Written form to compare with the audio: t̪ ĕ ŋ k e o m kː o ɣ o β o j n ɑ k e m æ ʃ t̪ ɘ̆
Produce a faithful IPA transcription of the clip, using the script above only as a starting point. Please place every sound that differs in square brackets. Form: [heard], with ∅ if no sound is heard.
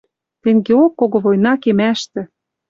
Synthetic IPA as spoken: t̪ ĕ ŋ [ɡ] e o [∅] kː o ɣ o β o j n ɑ k e m æ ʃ t̪ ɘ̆